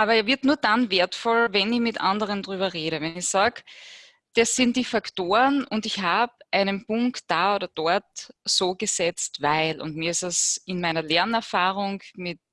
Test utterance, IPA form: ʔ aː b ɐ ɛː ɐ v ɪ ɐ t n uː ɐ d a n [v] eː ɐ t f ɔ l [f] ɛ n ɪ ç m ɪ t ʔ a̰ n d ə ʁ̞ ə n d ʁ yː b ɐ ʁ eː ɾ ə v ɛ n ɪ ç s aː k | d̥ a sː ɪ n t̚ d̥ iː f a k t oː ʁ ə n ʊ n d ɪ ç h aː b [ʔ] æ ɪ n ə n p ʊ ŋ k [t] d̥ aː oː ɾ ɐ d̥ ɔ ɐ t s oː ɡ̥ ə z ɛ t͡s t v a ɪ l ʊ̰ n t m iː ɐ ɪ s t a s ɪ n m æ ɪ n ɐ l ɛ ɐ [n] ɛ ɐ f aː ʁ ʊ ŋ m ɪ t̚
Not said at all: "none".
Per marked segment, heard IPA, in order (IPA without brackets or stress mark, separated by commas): v, v, ʔ, t, n